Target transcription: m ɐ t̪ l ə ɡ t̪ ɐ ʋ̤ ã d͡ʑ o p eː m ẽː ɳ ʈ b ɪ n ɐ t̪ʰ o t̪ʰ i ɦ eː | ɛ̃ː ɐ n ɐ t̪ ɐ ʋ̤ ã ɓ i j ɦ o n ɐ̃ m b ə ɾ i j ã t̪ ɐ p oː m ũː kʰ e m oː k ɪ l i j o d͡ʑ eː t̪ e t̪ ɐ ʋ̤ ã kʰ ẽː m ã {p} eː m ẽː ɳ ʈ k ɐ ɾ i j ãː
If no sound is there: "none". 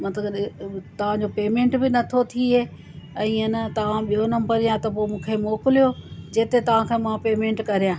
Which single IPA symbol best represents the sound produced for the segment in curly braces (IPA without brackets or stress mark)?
p